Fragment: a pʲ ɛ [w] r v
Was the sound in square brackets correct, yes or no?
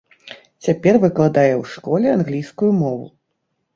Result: no